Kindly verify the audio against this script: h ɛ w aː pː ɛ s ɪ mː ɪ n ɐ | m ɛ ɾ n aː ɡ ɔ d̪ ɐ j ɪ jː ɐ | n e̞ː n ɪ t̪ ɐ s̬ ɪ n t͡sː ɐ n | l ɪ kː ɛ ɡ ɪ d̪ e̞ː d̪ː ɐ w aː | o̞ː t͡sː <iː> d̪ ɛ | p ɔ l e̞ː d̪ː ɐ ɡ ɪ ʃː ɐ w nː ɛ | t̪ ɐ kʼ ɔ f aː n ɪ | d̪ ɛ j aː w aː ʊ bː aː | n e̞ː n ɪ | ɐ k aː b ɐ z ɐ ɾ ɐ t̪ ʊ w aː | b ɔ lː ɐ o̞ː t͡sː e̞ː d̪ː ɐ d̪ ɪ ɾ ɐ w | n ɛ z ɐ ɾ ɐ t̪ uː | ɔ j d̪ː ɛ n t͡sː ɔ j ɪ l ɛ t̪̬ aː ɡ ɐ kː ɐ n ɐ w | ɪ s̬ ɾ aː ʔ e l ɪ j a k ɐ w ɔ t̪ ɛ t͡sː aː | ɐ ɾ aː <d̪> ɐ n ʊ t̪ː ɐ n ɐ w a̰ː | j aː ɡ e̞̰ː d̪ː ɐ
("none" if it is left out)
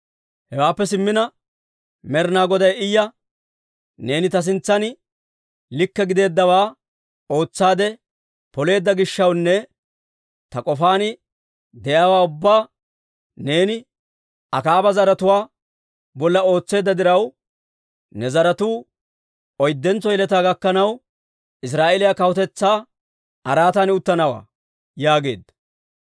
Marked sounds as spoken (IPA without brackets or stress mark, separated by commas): aː, t̪